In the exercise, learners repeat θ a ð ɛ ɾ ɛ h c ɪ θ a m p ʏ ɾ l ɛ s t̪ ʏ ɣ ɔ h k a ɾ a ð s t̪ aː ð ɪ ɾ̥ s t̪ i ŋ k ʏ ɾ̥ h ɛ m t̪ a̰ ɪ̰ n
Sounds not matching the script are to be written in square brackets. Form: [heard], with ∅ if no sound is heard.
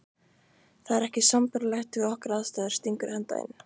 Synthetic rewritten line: θ a ð ɛ ɾ ɛ h c ɪ [s] a m p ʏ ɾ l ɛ [x] t̪ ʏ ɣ ɔ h k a ɾ a ð s t̪ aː ð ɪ ɾ̥ s t̪ i ŋ k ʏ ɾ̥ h ɛ [n] t̪ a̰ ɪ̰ n